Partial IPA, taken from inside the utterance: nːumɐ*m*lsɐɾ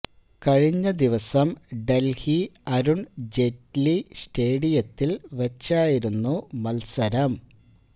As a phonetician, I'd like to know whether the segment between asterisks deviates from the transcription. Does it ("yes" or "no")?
yes